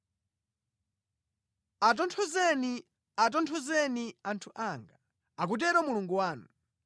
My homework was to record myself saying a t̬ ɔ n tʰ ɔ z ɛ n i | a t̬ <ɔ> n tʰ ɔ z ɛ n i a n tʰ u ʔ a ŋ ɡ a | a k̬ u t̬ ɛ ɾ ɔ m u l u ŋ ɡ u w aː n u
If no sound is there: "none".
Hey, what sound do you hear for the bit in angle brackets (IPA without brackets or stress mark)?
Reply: ɔ